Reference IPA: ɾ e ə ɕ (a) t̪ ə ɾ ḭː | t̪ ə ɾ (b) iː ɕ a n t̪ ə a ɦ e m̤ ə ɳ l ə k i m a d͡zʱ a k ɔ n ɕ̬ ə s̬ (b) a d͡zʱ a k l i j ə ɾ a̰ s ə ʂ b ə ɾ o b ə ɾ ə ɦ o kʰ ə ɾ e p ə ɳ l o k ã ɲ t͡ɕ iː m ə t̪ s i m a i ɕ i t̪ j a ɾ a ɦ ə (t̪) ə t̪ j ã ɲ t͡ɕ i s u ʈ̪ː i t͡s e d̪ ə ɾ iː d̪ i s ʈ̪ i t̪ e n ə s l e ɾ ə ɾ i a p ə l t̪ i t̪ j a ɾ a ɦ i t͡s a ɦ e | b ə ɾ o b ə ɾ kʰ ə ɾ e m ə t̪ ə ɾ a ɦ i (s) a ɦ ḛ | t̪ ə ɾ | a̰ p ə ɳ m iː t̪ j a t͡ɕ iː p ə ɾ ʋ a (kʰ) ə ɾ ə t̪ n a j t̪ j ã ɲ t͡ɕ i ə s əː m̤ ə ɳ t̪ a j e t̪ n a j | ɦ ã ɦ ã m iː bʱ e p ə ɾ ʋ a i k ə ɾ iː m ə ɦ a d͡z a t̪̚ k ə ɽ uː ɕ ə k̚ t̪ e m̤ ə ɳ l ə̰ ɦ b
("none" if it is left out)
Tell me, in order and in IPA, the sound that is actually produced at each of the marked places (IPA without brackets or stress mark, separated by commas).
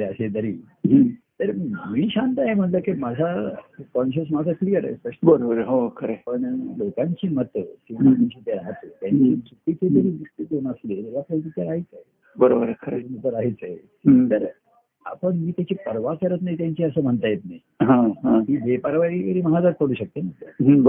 e, m, m, t̪, t͡s, k